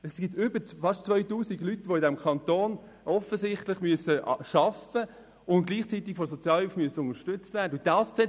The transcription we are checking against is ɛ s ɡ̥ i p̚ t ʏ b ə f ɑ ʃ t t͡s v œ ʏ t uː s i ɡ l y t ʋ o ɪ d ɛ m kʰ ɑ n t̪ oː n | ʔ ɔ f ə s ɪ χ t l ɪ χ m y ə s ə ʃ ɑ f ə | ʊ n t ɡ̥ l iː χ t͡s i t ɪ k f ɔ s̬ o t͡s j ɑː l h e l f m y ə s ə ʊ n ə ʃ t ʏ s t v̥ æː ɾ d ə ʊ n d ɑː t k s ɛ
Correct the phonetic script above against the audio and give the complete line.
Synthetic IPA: ɛ s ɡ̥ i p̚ t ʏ b ə f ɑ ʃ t t͡s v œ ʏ t uː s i ɡ l y t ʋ o ɪ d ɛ m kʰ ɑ n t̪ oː n | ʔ ɔ f ə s ɪ χ t l ɪ χ m y ə s ə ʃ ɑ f ə | ʊ n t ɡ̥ l iː χ t͡s i t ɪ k f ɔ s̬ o t͡s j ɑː l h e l f m y ə s ə ʊ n ə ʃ t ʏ t͡s t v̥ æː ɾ d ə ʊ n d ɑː s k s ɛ